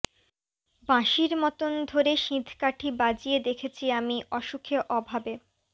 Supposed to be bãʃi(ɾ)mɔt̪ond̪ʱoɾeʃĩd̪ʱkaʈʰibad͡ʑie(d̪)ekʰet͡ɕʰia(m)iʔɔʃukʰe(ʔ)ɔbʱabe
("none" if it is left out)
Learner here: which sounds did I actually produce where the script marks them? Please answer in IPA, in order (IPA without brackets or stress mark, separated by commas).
ɾ, d̪, m, ʔ